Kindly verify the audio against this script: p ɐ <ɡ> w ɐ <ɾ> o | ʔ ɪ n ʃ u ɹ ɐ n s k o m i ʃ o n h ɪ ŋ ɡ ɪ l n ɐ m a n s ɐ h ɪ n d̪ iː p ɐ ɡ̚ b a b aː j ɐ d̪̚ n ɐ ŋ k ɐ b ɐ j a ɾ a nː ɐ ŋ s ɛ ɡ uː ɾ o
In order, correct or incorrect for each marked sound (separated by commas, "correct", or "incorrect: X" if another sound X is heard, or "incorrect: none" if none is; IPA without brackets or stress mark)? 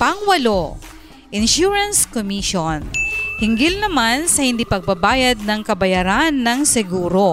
incorrect: ŋ, incorrect: l